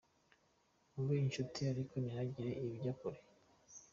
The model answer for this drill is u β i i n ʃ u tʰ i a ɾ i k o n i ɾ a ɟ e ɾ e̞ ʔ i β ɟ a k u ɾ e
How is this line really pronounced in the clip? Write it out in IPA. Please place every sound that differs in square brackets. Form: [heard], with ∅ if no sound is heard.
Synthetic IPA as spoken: u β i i n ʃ u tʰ i a ɾ i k o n i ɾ a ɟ [i] ɾ e̞ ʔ i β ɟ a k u ɾ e